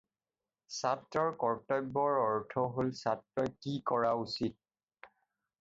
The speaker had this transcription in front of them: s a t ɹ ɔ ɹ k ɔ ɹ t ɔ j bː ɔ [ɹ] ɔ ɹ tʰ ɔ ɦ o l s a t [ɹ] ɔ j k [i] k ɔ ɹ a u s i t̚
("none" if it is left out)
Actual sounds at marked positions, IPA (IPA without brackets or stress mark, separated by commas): ɹ, ɹ, i